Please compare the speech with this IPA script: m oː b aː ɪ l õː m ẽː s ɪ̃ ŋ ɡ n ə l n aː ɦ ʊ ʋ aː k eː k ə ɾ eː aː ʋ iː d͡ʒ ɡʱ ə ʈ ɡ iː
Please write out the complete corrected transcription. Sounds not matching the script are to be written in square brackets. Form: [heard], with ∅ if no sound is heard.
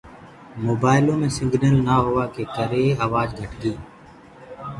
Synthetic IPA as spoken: m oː b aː ɪ l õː m ẽː s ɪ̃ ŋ ɡ n ə l n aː ɦ ʊ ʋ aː k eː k ə ɾ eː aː ʋ [aː] d͡ʒ ɡʱ ə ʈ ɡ iː